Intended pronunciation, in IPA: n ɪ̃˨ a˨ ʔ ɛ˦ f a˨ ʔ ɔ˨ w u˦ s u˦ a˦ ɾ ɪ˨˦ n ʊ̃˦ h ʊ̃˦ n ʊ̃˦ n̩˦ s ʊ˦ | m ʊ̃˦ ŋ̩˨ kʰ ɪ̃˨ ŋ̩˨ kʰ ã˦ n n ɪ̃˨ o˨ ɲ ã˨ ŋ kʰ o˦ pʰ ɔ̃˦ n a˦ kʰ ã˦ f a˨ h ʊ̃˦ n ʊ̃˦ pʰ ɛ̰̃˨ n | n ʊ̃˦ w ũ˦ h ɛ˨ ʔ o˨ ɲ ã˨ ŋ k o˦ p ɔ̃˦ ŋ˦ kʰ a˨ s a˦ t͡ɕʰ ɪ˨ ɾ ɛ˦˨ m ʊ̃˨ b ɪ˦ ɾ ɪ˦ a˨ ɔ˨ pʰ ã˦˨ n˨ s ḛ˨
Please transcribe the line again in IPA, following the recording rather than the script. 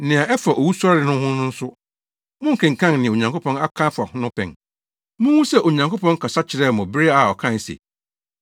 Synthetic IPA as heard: n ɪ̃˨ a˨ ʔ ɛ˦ f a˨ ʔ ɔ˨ w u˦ s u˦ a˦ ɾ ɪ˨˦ n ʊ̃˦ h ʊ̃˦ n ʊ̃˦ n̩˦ s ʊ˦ | m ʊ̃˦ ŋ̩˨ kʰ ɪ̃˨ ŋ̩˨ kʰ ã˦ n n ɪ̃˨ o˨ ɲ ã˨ ŋ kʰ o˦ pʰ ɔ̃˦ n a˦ kʰ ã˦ f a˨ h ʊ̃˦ n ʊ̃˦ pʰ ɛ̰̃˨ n | m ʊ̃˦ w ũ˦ s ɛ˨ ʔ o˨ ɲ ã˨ ŋ k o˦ p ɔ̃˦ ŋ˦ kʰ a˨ s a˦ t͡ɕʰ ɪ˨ ɾ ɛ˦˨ m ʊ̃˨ b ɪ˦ ɾ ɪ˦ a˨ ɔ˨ kʰ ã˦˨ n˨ s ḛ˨

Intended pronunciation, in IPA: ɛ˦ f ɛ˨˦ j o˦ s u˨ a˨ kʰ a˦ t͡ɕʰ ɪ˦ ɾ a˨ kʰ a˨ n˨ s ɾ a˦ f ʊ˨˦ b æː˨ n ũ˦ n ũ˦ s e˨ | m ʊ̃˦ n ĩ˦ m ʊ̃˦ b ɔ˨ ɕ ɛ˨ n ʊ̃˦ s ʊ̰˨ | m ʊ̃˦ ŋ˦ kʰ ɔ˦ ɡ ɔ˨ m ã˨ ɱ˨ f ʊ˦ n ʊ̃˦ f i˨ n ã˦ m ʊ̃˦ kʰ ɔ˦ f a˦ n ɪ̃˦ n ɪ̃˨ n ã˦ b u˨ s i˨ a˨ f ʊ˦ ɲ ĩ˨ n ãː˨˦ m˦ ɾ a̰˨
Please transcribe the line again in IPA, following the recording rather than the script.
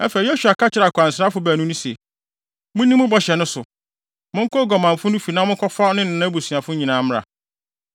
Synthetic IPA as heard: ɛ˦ f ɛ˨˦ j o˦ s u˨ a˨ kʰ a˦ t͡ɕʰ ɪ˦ ɾ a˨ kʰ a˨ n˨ s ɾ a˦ f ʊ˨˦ b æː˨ n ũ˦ n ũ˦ s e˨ | m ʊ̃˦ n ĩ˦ m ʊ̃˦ b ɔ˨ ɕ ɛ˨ n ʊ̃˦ s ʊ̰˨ | m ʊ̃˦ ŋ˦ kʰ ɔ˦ ɡ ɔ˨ m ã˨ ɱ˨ f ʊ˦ n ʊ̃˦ f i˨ n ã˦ m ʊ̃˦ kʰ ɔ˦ f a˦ n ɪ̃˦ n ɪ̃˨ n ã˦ b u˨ s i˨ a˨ f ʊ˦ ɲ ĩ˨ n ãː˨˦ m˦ ɾ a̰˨

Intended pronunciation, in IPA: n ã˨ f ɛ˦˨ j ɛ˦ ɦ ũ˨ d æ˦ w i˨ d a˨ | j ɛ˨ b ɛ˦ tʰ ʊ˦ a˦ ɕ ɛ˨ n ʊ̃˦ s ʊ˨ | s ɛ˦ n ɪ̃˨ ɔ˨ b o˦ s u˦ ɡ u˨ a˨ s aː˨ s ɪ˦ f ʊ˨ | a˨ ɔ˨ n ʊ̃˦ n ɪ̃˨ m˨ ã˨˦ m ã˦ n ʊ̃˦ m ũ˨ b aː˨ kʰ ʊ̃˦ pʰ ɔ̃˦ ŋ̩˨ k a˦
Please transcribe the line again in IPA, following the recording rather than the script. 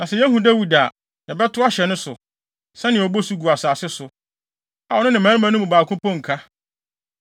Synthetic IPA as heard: n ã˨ s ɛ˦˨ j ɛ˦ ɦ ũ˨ d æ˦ w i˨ d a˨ | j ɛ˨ b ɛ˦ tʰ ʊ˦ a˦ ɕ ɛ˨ n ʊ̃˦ s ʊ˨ | s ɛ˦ n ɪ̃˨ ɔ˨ b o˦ s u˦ ɡ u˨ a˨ s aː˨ s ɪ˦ s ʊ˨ | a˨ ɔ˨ n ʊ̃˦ n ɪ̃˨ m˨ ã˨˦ m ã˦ n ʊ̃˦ m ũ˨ b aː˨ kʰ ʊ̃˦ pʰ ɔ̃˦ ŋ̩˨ kʰ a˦

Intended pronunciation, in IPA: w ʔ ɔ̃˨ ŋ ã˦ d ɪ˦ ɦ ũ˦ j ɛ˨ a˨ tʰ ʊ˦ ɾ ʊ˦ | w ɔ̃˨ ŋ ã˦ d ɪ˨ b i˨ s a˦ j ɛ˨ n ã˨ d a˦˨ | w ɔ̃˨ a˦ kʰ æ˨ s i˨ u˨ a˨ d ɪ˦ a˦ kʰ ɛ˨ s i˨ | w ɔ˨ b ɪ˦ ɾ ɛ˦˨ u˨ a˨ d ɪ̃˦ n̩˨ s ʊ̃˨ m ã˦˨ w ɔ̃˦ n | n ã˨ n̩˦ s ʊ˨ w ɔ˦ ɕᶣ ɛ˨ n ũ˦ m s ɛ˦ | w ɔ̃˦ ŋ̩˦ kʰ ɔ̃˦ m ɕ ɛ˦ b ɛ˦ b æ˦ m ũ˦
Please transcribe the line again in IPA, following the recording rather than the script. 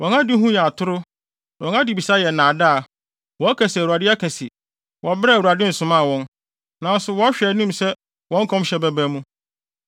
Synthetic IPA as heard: w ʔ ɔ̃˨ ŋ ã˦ d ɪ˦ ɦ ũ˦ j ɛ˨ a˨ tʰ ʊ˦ ɾ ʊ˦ | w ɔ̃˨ ŋ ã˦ d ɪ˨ b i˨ s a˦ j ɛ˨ n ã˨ d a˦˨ | w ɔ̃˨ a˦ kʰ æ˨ s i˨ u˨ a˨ d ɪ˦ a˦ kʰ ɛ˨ s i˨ | w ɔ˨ b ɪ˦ ɾ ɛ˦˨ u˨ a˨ d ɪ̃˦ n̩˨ s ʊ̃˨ m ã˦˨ w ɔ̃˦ n | n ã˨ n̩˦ s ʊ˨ w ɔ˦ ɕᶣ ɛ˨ n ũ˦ m s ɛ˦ | w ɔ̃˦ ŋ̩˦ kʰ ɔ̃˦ m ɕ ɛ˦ b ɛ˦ b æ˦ m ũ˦

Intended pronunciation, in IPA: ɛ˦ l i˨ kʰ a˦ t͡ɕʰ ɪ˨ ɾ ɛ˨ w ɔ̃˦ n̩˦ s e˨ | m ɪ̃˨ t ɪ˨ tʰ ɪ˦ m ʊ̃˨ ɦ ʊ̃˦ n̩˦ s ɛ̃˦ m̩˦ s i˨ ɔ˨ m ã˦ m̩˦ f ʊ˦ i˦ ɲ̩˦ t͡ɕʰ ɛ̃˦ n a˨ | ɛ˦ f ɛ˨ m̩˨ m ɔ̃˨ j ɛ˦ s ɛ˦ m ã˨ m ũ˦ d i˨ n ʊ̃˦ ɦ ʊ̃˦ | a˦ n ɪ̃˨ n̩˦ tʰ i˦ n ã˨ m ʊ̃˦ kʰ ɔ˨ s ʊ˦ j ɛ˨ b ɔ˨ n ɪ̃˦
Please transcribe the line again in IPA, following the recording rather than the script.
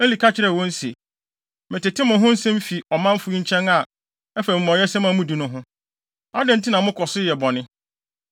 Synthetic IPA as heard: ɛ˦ l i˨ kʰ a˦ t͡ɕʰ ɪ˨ ɾ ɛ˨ w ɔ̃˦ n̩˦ s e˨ | m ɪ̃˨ t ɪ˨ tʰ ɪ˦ m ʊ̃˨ ɦ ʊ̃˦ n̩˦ s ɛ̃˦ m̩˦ f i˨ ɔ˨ m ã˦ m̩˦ f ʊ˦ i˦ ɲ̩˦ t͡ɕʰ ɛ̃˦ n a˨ | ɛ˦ f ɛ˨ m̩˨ m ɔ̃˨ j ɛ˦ s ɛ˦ m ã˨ m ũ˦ d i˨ n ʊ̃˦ ɦ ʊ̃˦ | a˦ d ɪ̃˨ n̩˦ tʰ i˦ n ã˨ m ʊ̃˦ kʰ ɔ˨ s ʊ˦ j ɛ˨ b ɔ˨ n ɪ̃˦

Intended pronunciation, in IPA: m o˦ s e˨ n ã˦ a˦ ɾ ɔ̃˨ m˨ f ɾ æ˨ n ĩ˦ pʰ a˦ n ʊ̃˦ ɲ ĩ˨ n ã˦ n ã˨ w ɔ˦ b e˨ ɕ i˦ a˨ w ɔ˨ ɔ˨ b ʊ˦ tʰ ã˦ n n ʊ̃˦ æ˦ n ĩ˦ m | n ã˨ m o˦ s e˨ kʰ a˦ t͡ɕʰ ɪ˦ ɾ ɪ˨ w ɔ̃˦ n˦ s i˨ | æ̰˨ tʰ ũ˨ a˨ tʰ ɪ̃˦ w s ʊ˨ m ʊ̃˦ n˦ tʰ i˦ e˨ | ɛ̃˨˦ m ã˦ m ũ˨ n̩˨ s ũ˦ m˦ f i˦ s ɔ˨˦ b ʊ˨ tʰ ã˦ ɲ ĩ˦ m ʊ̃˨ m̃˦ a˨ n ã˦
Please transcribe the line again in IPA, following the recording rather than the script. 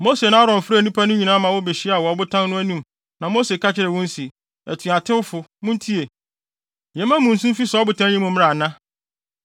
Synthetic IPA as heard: m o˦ s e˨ n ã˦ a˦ ɾ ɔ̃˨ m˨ f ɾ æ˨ n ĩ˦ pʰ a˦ n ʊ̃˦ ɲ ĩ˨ n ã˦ m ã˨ w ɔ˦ b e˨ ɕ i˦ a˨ w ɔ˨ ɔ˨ b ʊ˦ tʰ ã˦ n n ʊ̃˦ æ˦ n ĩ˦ m | n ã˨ m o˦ s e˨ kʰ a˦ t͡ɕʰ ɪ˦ ɾ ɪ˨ w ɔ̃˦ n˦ s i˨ | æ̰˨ tʰ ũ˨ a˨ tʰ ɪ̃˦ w f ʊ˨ m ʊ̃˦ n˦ tʰ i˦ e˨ | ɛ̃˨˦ m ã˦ m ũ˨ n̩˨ s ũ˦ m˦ f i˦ s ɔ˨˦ b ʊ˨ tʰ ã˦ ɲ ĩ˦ m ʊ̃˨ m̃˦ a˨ n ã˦

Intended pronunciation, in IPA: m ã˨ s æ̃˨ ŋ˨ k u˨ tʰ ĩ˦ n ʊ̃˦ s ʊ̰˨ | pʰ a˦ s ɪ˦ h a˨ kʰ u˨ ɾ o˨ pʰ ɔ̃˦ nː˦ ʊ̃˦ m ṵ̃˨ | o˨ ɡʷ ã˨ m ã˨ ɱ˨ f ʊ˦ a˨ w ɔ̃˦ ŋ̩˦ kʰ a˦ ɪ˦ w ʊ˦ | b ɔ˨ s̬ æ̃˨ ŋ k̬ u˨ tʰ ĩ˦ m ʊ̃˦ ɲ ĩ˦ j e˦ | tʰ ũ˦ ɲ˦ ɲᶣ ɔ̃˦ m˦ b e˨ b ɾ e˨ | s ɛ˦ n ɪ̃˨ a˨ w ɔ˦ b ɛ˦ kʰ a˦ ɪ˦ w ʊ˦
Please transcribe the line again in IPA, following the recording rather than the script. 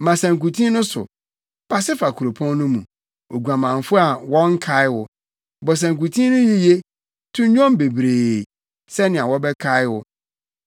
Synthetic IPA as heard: m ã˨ s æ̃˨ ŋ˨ k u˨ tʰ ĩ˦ n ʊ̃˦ s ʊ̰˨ | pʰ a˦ s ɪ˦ f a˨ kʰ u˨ ɾ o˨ pʰ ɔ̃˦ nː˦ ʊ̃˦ m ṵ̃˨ | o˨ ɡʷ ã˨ m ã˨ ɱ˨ f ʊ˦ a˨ w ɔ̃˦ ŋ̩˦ kʰ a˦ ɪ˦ w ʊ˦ | b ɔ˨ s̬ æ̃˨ ŋ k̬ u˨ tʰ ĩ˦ n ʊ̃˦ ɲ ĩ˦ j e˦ | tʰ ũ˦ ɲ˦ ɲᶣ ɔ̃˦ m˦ b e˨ b ɾ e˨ | s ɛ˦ n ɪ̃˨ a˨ w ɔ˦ b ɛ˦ kʰ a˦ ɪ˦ w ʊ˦

